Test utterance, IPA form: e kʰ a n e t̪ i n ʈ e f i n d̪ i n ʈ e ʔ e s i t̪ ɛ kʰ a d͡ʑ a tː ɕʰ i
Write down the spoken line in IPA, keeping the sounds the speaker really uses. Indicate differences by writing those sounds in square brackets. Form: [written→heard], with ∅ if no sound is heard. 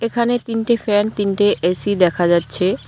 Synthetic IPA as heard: e kʰ a n e t̪ i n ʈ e f [i→ɛ] n [d̪→t̪] i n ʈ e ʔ e s i [t̪→d̪] ɛ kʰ a d͡ʑ a tː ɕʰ [i→e]